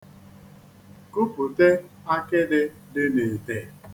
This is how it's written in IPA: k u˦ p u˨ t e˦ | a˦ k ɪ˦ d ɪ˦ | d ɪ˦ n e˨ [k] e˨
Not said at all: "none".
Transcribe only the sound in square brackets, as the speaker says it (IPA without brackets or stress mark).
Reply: t